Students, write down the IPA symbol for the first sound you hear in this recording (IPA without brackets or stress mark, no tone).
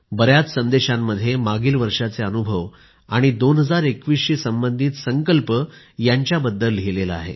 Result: b